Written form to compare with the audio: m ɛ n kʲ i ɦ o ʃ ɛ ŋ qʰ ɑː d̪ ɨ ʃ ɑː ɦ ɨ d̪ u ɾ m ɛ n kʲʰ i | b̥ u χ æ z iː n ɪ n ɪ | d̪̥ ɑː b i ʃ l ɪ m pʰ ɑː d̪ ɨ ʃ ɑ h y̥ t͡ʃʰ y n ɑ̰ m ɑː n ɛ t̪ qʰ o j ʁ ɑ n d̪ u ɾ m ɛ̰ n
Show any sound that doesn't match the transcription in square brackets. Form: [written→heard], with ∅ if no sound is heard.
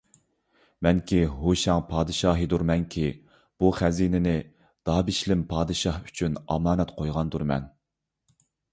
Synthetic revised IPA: m ɛ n kʲ i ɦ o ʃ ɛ ŋ [qʰ→pʰ] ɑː d̪ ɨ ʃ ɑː ɦ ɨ d̪ u ɾ m ɛ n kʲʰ i | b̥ u χ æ z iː n ɪ n ɪ | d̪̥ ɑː b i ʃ l ɪ m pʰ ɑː d̪ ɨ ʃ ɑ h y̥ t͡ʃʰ y n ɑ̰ m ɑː n ɛ t̪ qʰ o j ʁ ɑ n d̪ u ɾ m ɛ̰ n